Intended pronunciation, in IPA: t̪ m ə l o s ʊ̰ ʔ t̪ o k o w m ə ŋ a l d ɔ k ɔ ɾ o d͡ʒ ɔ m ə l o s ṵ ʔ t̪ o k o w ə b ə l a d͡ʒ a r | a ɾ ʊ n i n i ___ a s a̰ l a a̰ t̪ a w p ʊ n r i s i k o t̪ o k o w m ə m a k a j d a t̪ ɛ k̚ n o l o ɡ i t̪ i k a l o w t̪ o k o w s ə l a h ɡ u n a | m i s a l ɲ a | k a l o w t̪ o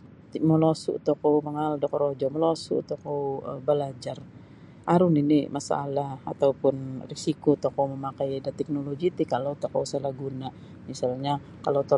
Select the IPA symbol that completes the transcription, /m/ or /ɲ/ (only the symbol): m